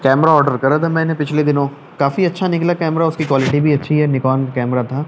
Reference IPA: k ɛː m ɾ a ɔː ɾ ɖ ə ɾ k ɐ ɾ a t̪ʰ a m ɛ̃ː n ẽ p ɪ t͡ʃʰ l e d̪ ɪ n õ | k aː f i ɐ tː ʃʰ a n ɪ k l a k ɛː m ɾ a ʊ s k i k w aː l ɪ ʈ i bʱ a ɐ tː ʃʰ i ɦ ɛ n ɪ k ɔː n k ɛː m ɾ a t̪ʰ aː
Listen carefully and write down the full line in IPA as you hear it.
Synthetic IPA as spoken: k ɛː m ɾ a ɔː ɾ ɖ ə ɾ k ɐ ɾ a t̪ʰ a m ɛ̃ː n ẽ p ɪ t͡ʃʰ l e d̪ ɪ n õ | k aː f i ɐ tː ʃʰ a n ɪ k l a k ɛː m ɾ a ʊ s k i k w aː l ɪ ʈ i bʱ i ɐ tː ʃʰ i ɦ ɛ n ɪ k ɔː n k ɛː m ɾ a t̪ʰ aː